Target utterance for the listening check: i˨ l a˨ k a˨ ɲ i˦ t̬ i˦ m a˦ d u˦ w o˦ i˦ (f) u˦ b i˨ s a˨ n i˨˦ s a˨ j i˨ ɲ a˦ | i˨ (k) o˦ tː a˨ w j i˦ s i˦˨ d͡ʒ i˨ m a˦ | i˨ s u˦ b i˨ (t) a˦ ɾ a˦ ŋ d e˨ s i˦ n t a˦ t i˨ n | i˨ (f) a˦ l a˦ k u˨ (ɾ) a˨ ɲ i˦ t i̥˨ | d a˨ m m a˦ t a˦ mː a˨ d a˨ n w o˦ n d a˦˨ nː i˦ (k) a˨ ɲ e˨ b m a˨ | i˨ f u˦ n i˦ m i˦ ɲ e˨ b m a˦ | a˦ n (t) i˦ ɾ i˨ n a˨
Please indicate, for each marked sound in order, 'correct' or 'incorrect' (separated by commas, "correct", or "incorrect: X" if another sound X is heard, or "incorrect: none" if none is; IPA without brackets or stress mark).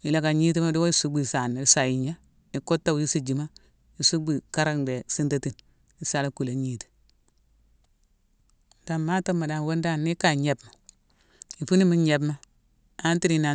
incorrect: s, correct, incorrect: k, incorrect: s, incorrect: l, correct, correct